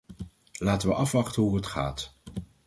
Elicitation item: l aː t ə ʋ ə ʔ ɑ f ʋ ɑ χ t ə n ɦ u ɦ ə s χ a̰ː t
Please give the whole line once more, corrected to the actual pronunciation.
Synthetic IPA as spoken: l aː t ə ʋ ə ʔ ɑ f ʋ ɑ χ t ə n ɦ u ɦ ə t χ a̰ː t